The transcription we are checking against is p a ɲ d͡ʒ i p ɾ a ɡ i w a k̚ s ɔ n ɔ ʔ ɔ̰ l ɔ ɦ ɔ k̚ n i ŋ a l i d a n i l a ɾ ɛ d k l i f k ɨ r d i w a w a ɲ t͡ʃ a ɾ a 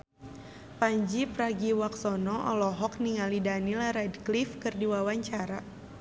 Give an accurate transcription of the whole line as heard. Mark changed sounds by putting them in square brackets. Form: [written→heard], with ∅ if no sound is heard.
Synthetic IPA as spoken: p a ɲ d͡ʒ i p ɾ a ɡ i w a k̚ s ɔ n ɔ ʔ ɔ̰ l ɔ ɦ ɔ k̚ n i ŋ a l i d a n i l a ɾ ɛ d k l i f k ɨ r d i w a w a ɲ t͡ʃ a ɾ a